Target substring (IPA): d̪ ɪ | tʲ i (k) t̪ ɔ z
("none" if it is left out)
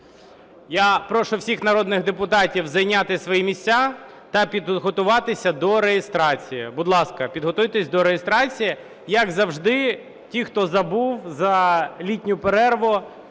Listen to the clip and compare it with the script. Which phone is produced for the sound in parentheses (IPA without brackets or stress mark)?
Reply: x